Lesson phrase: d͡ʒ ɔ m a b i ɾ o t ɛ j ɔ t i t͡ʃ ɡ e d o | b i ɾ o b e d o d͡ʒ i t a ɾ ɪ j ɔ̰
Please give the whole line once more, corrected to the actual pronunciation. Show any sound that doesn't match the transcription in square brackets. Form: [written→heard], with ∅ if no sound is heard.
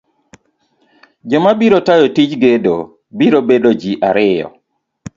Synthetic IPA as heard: d͡ʒ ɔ m a b i ɾ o t [ɛ→a] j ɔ t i t͡ʃ ɡ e d o | b i ɾ o b e d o d͡ʒ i [t→ʔ] a ɾ ɪ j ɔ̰